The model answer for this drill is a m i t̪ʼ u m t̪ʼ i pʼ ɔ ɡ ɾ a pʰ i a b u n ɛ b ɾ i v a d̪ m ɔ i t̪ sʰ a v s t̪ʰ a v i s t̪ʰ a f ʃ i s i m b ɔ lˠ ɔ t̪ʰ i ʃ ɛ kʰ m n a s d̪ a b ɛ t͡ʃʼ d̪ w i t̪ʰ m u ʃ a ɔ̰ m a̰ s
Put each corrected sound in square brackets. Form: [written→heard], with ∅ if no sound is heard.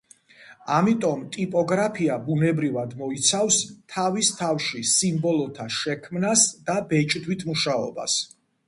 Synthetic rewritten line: a m i t̪ʼ [u→ɔ] m t̪ʼ i pʼ ɔ ɡ ɾ a pʰ i a b u n ɛ b ɾ i v a d̪ m ɔ i t̪ sʰ a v s t̪ʰ a v i s t̪ʰ a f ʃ i s i m b ɔ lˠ ɔ t̪ʰ [i→a] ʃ ɛ kʰ m n a s d̪ a b ɛ t͡ʃʼ d̪ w i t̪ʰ m u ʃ a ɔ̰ [m→b] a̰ s